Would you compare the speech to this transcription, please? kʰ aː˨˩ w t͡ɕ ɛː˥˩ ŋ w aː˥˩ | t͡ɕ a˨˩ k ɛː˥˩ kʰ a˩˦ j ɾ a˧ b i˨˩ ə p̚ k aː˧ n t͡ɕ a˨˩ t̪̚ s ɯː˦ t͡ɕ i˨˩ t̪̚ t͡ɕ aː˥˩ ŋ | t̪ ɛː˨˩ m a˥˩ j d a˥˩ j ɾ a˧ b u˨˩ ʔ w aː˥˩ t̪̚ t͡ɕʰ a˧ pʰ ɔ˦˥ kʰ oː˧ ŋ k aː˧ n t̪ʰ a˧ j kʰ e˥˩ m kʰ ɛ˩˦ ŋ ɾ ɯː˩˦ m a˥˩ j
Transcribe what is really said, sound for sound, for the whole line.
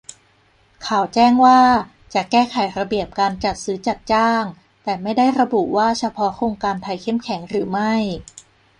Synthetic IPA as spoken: kʰ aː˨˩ w t͡ɕ ɛː˥˩ ŋ w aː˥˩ | t͡ɕ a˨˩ k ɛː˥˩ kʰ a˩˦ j ɾ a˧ b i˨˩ ə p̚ k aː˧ n t͡ɕ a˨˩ t̪̚ s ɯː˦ t͡ɕ a˨˩ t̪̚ t͡ɕ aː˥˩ ŋ | t̪ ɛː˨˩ m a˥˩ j d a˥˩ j ɾ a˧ b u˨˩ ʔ w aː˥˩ t͡ɕʰ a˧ pʰ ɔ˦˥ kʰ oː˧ ŋ k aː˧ n t̪ʰ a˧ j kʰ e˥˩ m kʰ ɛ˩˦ ŋ ɾ ɯː˩˦ m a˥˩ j

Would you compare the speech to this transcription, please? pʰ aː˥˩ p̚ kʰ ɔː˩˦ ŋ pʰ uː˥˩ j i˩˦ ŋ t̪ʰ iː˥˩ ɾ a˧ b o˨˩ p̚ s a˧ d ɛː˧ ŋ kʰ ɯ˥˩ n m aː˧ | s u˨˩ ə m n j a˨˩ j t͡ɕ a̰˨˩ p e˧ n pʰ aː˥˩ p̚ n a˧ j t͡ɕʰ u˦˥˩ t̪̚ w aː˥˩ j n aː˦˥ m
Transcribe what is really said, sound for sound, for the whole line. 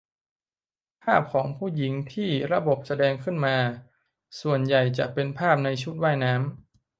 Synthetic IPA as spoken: pʰ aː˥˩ p̚ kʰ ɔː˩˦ ŋ pʰ uː˥˩ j i˩˦ ŋ t̪ʰ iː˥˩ ɾ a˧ b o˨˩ p̚ s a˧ d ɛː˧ ŋ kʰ ɯ˥˩ n m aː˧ | s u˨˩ ə n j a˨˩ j t͡ɕ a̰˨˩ p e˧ n pʰ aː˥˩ p̚ n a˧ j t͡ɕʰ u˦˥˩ t̪̚ w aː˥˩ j n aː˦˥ m

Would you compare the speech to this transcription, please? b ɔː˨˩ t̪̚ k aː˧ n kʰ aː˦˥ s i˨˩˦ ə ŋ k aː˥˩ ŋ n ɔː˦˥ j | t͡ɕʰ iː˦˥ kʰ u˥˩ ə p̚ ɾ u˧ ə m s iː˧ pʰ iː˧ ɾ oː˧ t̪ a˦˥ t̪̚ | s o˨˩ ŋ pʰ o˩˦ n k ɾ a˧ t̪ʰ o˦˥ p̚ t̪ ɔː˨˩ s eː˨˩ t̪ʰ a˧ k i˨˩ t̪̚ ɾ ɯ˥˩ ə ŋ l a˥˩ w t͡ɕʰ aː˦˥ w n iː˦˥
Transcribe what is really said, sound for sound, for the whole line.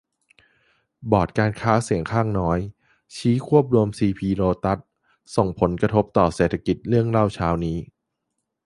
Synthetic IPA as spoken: b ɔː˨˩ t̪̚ k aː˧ n kʰ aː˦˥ s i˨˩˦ ə ŋ kʰ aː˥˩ ŋ n ɔː˦˥ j | t͡ɕʰ iː˦˥ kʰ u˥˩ ə p̚ ɾ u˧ ə m s iː˧ pʰ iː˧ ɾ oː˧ t̪ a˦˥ t̪̚ | s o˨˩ ŋ pʰ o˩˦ n k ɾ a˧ t̪ʰ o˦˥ p̚ t̪ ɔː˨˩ s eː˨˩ t̪ʰ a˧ k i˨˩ t̪̚ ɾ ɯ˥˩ ə ŋ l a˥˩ w t͡ɕʰ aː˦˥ w n iː˦˥

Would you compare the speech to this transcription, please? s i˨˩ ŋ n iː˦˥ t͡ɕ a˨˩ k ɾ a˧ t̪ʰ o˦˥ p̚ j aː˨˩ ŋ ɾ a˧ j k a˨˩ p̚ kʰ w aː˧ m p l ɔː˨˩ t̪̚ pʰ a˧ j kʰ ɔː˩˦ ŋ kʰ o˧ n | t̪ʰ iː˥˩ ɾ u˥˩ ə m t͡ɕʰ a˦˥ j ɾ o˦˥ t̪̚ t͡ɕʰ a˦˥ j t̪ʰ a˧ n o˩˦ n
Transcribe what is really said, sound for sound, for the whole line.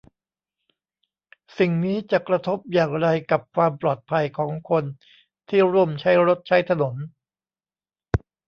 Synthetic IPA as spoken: s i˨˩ ŋ n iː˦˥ t͡ɕ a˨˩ k ɾ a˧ t̪ʰ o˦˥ p̚ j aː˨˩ ŋ ɾ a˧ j k a˨˩ p̚ kʰ w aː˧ m p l ɔː˨˩ t̪̚ pʰ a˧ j kʰ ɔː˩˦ ŋ kʰ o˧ n | t̪ʰ iː˥˩ ɾ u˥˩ ə m t͡ɕʰ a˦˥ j ɾ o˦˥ t̪̚ t͡ɕʰ a˦˥ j t̪ʰ a˧ n o˩˦ n

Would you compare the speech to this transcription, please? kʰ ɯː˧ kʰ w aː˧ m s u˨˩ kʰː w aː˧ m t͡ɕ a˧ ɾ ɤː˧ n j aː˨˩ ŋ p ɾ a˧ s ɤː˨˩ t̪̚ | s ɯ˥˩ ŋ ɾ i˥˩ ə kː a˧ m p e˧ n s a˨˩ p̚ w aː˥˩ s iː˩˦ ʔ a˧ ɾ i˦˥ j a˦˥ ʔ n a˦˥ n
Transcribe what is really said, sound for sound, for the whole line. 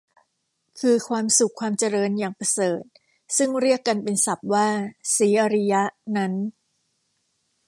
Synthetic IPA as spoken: kʰ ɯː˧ kʰ w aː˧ m s u˨˩ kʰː w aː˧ m t͡ɕ a˧ ɾ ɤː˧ n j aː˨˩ ŋ p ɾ a˧ s ɤː˨˩ t̪̚ | s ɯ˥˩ ŋ ɾ i˥˩ ə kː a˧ n p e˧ n s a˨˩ p̚ w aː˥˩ s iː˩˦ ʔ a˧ ɾ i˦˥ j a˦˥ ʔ n a˦˥ n

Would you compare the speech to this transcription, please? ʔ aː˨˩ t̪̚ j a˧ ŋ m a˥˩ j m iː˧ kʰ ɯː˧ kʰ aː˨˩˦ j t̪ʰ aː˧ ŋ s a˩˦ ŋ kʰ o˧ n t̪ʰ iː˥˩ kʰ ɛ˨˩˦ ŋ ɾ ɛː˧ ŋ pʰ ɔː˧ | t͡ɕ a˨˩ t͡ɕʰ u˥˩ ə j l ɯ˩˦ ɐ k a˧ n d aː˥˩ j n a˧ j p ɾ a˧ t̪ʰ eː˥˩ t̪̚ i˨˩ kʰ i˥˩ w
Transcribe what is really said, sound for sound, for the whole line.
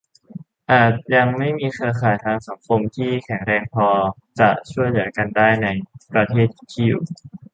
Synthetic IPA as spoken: ʔ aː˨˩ t̪̚ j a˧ ŋ m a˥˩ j m iː˧ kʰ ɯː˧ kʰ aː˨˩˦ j t̪ʰ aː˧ ŋ s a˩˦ ŋ kʰ o˧ m t̪ʰ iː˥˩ kʰ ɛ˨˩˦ ŋ ɾ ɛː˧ ŋ pʰ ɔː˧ | t͡ɕ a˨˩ t͡ɕʰ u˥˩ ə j l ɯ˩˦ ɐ k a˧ n d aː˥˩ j n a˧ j p ɾ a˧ t̪ʰ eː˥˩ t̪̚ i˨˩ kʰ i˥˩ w

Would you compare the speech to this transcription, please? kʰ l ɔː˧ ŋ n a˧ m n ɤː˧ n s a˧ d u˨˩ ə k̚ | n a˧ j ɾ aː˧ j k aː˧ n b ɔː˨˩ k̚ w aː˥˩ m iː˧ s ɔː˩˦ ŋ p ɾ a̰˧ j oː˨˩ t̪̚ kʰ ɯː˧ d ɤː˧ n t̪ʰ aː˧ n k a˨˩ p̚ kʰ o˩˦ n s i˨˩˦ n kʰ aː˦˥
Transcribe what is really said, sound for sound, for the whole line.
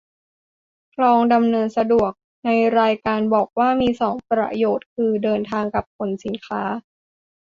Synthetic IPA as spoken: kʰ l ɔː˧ ŋ d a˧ m n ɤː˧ n s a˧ d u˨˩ ə k̚ | n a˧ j ɾ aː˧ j k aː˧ n b ɔː˨˩ k̚ w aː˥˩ m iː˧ s ɔː˩˦ ŋ p ɾ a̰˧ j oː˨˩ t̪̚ kʰ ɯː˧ d ɤː˧ n t̪ʰ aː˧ ŋ k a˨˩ p̚ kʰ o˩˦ n s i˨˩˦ n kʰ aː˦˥

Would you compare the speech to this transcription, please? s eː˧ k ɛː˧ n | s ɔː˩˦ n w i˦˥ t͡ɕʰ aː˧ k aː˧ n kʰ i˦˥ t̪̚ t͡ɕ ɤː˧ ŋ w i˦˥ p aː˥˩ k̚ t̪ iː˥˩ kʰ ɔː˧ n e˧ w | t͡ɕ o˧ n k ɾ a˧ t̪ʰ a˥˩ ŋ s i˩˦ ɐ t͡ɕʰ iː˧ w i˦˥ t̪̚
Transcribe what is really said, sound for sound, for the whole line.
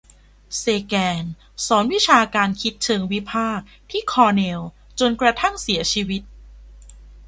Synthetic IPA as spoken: s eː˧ k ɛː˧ n | s ɔː˩˦ n w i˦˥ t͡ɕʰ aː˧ k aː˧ n kʰ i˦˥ t̪̚ t͡ɕʰ ɤː˧ ŋ w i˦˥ pʰ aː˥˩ k̚ t̪ʰ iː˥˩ kʰ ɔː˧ n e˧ w | t͡ɕ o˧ n k ɾ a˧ t̪ʰ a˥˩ ŋ s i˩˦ ɐ t͡ɕʰ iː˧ w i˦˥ t̪̚

